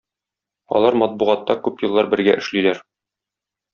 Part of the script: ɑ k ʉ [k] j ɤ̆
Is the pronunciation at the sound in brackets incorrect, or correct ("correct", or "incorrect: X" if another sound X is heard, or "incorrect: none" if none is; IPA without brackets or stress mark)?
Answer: incorrect: p